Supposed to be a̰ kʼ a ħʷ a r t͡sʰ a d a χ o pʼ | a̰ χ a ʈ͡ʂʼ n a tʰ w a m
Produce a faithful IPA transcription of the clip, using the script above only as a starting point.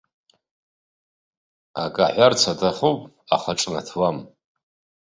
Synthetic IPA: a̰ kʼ a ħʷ a r t͡sʰ a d a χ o pʼ | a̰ χ a ʈ͡ʂʼ n a tʰ w a m